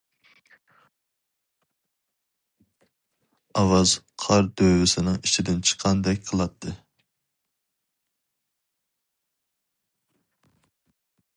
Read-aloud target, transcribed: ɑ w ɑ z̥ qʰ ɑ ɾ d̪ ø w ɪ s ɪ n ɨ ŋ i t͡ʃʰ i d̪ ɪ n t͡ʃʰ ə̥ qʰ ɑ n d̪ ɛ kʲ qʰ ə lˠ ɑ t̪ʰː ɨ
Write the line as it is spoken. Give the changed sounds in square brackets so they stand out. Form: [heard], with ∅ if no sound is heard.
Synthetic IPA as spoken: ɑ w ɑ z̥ qʰ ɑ ɾ d̪ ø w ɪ s ɪ n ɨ ŋ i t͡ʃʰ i d̪ ɪ n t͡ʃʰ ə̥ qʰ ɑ n d̪ ɛ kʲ qʰ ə lˠ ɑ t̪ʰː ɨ